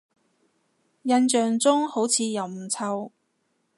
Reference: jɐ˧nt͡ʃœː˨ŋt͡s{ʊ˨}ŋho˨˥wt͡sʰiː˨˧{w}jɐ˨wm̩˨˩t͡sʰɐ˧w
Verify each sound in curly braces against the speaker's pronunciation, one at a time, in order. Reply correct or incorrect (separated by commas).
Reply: incorrect, incorrect